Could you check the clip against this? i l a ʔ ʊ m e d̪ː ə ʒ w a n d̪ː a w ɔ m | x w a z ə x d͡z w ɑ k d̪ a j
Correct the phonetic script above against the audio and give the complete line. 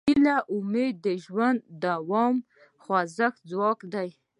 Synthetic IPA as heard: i l a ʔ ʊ m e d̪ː ə ʒ w a n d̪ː a w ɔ m | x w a z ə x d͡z w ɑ k d̪ a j